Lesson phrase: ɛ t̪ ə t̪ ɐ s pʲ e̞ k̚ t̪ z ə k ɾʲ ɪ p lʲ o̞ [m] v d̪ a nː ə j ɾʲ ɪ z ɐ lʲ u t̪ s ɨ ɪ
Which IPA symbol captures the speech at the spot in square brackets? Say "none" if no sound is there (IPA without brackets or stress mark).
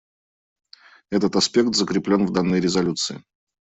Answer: n